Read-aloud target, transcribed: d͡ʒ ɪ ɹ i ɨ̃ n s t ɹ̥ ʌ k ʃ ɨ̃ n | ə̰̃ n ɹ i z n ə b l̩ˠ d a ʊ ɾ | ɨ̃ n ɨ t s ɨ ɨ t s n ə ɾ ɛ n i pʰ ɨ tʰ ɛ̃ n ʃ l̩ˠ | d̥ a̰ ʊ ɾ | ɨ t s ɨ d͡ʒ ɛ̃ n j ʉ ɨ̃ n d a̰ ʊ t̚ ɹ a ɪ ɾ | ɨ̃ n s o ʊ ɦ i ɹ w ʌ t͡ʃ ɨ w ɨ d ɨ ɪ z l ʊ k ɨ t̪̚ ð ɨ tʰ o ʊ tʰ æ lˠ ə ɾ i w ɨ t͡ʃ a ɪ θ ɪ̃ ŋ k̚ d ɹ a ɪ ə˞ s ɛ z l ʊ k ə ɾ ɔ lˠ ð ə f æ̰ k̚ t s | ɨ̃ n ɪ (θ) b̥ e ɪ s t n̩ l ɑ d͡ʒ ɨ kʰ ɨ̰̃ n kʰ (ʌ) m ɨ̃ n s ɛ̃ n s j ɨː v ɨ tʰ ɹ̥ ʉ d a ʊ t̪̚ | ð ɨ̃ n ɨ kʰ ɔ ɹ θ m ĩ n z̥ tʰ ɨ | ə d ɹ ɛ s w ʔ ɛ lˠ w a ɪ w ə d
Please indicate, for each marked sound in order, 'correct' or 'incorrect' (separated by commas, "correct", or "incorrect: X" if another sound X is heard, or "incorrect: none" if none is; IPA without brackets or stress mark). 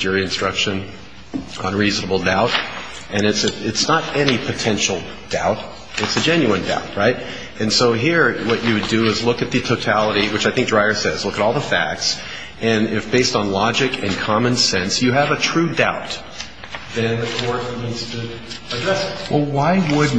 incorrect: f, incorrect: ɑ